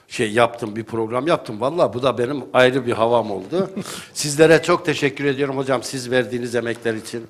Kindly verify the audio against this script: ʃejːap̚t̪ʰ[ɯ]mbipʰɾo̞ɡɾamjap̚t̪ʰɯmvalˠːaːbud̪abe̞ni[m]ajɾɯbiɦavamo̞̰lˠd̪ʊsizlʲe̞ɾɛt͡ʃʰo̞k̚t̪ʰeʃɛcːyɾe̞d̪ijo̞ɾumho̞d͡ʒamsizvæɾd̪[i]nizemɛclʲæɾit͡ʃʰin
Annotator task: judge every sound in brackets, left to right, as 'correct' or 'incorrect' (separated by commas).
correct, correct, incorrect